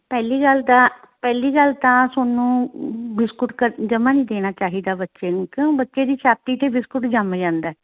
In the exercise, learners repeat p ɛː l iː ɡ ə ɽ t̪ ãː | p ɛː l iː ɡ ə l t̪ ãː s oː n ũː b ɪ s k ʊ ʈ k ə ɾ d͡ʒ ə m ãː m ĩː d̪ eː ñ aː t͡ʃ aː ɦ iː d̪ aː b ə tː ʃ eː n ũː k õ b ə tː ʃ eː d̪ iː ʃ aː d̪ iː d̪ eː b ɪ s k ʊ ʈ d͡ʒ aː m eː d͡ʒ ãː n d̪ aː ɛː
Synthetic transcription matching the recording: p ɛː l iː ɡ ə l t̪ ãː | p ɛː l iː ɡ ə l t̪ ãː s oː n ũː b ɪ s k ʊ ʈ k ə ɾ d͡ʒ ə m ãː n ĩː d̪ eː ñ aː t͡ʃ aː ɦ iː d̪ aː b ə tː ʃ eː n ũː k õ b ə tː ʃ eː d̪ iː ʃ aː t̪ iː t̪ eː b ɪ s k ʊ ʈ d͡ʒ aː m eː d͡ʒ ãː n d̪ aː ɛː